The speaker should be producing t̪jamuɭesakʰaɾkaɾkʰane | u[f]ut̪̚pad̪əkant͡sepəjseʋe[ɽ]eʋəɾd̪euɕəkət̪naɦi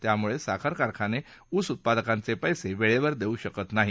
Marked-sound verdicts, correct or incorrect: incorrect, incorrect

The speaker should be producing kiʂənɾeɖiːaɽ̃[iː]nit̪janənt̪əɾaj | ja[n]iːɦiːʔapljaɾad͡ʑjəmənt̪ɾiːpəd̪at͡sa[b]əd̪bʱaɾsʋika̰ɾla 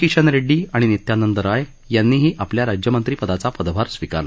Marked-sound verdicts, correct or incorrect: incorrect, incorrect, incorrect

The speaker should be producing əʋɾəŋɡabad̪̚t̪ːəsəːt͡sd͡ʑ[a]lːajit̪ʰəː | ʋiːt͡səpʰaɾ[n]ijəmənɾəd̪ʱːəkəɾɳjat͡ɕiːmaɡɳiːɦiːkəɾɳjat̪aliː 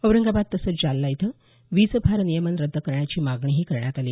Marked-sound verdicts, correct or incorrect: correct, correct

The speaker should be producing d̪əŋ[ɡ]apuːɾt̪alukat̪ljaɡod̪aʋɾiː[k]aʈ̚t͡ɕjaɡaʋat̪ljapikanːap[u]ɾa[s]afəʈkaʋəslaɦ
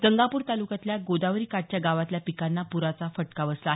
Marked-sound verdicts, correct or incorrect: correct, correct, correct, incorrect

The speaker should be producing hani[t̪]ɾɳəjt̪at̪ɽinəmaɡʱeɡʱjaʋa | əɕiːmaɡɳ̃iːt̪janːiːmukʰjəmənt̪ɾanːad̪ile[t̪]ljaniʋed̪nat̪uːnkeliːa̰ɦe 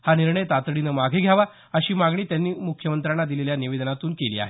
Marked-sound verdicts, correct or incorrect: incorrect, incorrect

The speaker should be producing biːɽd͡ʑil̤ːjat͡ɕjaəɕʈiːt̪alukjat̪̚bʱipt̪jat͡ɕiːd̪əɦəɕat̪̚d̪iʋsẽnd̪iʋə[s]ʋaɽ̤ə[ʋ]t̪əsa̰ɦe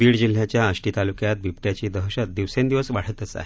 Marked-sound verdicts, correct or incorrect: correct, incorrect

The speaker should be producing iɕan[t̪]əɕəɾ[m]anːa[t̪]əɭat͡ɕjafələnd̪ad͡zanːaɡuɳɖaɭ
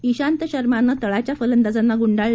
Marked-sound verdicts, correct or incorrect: correct, correct, correct

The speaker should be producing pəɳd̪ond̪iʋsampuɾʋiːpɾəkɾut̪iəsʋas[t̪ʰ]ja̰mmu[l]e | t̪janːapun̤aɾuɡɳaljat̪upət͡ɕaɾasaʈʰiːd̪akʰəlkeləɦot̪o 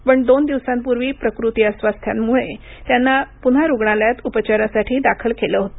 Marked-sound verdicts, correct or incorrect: correct, incorrect

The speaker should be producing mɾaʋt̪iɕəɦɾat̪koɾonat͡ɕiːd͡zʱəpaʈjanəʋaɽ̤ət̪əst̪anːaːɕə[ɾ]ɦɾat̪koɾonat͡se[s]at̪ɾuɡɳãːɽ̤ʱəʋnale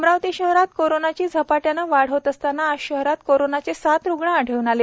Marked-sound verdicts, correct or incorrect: incorrect, correct

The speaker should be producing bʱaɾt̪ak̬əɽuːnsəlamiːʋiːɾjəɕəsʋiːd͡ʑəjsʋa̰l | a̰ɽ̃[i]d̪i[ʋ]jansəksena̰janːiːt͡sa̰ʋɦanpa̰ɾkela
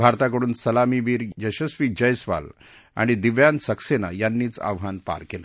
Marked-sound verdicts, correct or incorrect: correct, correct

